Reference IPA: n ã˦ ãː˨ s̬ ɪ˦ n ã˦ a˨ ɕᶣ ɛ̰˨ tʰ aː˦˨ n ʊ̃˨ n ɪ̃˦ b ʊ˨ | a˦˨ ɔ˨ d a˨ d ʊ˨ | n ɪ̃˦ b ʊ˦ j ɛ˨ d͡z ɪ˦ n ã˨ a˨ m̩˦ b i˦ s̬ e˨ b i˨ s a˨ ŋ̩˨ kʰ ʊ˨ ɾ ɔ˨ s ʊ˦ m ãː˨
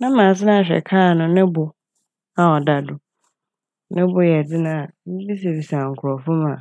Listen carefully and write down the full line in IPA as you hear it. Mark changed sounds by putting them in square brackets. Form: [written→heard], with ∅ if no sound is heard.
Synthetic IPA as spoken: n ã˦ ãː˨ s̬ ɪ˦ n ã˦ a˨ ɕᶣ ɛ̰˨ [tʰ→kʰ] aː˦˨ n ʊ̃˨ n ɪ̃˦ b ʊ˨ | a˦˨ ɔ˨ d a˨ d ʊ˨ | n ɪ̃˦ b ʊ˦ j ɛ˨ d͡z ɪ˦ n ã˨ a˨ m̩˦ b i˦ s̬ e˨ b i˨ s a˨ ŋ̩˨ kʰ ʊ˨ ɾ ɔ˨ [s→f] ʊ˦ m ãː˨

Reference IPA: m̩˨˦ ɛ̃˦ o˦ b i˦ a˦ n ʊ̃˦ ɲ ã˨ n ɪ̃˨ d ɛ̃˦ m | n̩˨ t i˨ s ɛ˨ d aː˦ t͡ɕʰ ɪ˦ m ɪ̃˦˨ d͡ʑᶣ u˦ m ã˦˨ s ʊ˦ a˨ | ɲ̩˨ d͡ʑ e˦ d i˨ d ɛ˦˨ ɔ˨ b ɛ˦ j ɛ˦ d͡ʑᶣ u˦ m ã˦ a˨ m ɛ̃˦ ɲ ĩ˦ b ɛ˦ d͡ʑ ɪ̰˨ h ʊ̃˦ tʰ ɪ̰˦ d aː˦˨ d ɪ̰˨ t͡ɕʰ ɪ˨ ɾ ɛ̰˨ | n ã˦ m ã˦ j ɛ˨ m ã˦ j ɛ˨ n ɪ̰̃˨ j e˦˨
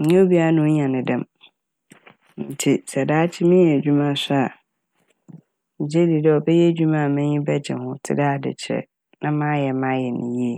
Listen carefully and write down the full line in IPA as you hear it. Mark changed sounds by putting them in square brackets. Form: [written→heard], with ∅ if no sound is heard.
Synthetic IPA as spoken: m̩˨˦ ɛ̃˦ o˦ b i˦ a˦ n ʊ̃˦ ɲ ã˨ n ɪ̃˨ d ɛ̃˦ m | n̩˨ [t→tʰ] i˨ s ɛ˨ d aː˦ t͡ɕʰ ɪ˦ m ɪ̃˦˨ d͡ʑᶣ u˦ m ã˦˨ s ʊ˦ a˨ | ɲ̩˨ d͡ʑ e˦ d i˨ d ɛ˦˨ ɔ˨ b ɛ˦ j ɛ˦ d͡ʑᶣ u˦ m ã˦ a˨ m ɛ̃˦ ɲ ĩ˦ b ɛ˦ d͡ʑ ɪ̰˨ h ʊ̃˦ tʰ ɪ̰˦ d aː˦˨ d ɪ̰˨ t͡ɕʰ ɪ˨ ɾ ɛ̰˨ | n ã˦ m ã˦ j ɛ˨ m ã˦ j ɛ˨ n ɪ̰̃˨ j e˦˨

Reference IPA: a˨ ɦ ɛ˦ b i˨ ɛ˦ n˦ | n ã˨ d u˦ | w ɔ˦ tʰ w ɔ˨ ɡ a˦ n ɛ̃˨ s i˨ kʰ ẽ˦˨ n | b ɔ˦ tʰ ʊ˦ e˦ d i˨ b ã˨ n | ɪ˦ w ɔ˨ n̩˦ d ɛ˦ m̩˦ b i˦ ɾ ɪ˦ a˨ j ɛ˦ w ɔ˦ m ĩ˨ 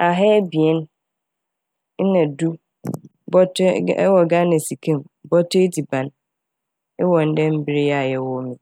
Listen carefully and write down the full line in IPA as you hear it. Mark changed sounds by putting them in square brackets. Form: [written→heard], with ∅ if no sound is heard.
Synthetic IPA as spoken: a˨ ɦ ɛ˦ b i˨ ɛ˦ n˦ | n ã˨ d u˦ | [w→b] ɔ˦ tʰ w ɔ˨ ɡ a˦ n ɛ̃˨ s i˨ kʰ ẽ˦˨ [n→m] | b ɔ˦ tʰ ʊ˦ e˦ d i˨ b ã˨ n | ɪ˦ w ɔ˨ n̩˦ d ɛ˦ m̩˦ b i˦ ɾ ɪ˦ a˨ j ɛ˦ w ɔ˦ m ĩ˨

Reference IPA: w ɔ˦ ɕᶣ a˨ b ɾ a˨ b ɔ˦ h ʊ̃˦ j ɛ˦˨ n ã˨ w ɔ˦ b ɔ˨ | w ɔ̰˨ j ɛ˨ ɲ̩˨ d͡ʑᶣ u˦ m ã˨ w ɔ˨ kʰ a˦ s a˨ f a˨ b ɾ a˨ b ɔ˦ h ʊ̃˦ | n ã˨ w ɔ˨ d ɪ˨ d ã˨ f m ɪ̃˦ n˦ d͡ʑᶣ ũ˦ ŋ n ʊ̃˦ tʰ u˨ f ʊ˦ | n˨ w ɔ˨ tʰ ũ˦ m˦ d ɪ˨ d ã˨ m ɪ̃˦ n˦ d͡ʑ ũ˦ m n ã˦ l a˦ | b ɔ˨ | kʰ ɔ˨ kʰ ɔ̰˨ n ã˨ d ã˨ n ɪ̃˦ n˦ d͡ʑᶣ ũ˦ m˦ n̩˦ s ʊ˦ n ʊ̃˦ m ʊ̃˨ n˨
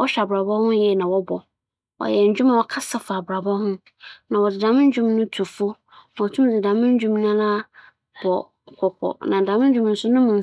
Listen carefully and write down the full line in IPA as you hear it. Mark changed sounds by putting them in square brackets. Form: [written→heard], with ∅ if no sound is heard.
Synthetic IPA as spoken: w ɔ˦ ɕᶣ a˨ b ɾ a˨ b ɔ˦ h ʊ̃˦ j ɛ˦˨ n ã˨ w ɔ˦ b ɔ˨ | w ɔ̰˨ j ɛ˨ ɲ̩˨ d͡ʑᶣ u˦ m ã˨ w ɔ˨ kʰ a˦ s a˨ f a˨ b ɾ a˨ b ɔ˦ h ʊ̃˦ | n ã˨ w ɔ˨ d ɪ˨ d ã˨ [f→∅] m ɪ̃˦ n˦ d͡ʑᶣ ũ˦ [ŋ→m] n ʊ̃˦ tʰ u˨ f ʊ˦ | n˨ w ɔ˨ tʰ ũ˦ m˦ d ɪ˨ d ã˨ m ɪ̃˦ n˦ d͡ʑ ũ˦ m n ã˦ l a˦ | b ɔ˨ | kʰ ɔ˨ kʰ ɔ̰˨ n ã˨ d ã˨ [n→m] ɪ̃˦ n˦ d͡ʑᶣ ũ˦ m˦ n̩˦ s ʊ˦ n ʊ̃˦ m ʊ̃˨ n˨

